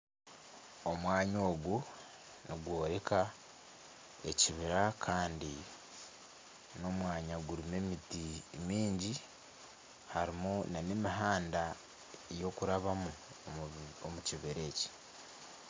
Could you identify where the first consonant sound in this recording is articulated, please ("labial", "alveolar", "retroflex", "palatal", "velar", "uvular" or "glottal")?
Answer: labial